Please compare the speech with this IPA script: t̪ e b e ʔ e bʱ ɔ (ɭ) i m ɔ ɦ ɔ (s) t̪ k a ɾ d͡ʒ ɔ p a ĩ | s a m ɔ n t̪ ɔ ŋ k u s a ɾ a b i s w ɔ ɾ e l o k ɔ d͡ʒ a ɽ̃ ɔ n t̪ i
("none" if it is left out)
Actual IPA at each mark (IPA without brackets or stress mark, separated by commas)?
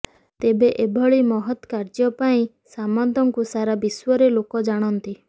ɭ, none